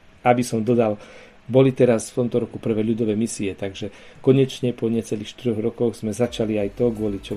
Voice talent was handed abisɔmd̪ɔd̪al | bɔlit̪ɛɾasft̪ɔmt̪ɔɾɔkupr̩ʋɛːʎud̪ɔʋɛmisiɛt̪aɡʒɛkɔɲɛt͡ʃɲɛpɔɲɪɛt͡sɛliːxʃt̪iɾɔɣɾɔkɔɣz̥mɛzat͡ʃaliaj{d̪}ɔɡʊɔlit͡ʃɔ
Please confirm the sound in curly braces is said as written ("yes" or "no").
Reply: no